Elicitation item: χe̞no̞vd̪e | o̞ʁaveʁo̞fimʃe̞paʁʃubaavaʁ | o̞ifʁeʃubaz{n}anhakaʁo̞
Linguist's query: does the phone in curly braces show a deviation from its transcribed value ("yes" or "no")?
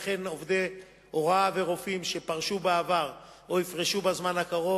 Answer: yes